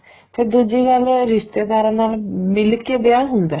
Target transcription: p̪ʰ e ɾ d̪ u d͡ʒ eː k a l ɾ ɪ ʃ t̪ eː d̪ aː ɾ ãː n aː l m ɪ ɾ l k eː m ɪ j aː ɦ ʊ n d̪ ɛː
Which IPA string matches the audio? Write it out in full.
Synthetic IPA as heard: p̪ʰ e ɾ d̪ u d͡ʒ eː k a l ɾ ɪ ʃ t̪ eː d̪ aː ɾ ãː n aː l m ɪ l k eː b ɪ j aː ɦ ʊ n d̪ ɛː